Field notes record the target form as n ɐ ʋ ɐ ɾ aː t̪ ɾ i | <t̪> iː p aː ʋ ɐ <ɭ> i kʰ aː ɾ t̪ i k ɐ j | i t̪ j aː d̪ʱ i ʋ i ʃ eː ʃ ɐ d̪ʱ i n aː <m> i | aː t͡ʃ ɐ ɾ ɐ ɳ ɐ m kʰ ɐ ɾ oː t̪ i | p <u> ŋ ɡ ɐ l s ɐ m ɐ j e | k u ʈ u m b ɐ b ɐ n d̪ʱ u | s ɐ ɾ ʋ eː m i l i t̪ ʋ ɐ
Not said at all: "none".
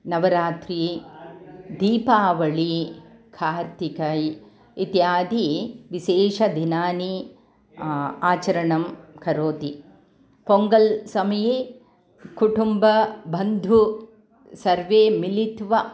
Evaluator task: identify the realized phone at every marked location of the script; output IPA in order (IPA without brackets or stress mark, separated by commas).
d̪, ɭ, n, o